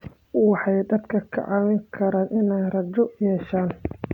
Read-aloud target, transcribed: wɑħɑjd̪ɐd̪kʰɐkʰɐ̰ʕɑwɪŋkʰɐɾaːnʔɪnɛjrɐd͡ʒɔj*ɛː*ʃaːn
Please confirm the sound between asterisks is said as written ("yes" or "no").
yes